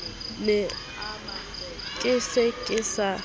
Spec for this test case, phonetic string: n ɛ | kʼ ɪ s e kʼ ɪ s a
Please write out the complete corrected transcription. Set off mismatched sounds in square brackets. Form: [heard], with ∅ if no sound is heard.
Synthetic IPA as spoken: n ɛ | kʼ ɪ s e kʼ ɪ s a

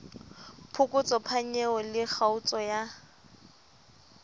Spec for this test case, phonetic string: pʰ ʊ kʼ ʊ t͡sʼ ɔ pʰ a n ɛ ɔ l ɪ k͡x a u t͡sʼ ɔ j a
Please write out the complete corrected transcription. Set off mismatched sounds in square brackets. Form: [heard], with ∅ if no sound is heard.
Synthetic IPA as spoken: pʰ ʊ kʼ ʊ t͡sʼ ɔ pʰ a [ɲ] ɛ ɔ l ɪ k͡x a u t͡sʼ ɔ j a

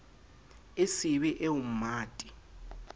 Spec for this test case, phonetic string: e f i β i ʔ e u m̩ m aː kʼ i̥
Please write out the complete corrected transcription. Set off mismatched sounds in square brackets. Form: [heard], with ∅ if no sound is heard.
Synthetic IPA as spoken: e [s] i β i ʔ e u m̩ m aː [tʼ] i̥

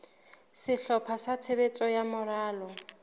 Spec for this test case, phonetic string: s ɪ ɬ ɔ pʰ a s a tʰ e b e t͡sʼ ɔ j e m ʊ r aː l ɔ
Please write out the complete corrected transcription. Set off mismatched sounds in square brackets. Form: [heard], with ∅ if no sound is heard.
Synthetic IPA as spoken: s ɪ ɬ ɔ pʰ a s a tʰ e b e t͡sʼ ɔ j [a] m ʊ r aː l ɔ

